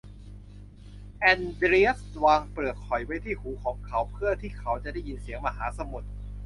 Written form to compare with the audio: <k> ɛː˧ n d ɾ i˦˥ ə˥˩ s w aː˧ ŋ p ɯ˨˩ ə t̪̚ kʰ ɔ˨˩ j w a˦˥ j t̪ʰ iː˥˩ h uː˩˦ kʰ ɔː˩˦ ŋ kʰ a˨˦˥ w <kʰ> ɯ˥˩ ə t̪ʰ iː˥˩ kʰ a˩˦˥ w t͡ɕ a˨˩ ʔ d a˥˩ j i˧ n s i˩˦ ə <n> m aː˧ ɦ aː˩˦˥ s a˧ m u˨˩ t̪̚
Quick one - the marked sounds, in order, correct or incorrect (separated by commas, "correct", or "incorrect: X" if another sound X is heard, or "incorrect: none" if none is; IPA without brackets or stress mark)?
incorrect: ʔ, incorrect: pʰ, incorrect: ŋ